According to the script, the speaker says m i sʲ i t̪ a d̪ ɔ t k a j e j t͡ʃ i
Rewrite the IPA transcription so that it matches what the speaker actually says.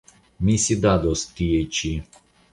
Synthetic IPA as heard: m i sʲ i d̪ a d̪ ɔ s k i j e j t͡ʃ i